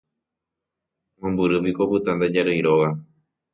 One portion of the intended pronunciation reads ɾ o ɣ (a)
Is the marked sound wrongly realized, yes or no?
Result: no